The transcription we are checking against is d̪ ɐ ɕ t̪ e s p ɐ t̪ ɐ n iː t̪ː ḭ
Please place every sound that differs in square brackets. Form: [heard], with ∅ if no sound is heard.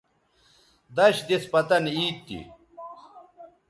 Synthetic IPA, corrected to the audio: d̪ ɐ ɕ [d̪] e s p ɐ t̪ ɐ n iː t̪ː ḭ